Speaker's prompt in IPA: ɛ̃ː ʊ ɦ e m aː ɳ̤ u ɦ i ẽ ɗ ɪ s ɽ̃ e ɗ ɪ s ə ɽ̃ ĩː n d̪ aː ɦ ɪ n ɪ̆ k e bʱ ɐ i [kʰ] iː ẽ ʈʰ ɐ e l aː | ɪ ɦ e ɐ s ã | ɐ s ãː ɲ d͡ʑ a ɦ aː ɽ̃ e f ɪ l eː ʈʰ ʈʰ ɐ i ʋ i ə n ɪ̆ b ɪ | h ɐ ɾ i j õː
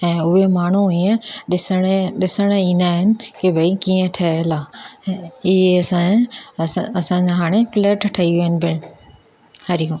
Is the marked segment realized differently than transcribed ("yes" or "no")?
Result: yes